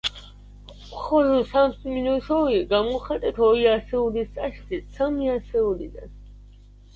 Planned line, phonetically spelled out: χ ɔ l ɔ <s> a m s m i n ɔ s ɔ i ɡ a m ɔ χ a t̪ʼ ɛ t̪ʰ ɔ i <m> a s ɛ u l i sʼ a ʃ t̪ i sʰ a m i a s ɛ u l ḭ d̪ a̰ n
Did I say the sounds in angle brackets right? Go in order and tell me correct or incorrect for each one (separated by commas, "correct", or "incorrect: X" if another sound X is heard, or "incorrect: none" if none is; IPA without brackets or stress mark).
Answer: correct, incorrect: none